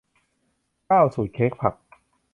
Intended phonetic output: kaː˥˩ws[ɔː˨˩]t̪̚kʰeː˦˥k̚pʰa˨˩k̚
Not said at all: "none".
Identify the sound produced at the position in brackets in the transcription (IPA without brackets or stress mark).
uː˨˩